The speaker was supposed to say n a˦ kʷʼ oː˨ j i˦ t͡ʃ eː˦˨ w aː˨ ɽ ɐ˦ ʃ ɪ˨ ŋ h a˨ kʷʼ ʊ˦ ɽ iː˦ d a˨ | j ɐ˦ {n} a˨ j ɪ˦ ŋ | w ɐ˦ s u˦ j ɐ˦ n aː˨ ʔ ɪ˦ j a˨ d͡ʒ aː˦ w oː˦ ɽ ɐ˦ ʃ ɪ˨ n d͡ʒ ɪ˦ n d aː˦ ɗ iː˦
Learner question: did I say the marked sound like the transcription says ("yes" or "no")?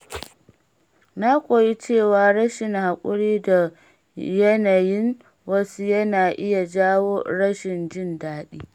yes